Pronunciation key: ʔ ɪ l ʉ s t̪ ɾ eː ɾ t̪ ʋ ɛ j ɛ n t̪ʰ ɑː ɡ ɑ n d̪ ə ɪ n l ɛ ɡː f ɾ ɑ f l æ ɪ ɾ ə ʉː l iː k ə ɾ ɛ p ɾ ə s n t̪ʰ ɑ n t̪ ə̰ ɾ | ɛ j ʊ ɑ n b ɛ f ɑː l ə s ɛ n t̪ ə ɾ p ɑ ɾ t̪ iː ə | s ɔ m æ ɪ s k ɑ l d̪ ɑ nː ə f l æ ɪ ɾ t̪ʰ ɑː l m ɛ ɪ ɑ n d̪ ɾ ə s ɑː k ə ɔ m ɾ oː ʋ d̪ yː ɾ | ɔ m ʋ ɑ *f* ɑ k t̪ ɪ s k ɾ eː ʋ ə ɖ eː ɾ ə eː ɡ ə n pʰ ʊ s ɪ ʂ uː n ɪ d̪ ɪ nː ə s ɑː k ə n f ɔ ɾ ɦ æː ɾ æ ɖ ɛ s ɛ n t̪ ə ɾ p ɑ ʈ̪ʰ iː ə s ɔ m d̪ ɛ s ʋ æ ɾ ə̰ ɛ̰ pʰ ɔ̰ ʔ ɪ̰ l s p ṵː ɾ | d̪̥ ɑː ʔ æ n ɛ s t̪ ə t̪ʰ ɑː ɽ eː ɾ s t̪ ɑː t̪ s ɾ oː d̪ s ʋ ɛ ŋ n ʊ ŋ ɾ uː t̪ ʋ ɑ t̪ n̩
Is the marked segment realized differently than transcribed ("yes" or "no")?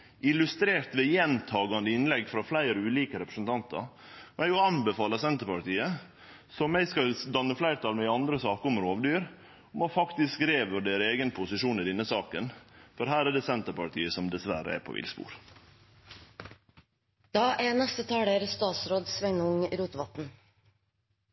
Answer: no